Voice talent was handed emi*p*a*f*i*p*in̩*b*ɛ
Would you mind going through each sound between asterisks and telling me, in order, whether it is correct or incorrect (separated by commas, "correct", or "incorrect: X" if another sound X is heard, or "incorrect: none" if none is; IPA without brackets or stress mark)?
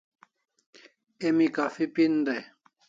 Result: incorrect: k, correct, correct, incorrect: d